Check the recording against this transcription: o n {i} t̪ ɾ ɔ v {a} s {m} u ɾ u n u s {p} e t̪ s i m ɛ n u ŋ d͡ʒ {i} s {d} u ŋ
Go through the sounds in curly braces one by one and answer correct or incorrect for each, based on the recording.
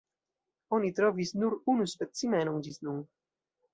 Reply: correct, incorrect: i, incorrect: n, correct, correct, incorrect: n

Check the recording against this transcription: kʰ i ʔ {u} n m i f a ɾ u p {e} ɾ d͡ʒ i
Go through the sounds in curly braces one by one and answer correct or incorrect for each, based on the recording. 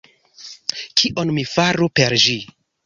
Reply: incorrect: o, correct

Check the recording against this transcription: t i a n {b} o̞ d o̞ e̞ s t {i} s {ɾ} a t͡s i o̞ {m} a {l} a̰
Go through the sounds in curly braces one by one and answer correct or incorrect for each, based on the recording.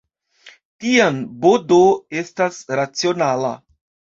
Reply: correct, incorrect: a, correct, incorrect: n, correct

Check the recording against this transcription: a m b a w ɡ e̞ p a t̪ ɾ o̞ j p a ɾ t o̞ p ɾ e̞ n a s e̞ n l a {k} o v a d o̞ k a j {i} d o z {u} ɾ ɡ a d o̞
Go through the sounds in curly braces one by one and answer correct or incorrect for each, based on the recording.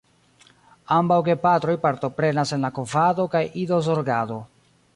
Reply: correct, correct, incorrect: o

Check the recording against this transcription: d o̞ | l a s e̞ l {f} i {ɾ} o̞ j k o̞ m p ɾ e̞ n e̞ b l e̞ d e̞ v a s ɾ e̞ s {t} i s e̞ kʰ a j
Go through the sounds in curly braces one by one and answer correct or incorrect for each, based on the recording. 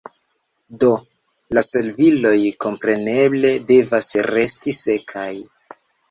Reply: incorrect: v, incorrect: l, correct

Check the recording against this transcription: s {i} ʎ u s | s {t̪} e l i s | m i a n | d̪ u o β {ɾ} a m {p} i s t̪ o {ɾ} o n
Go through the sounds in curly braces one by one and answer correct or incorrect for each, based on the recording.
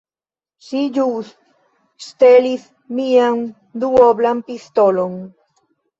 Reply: correct, correct, incorrect: l, correct, incorrect: l

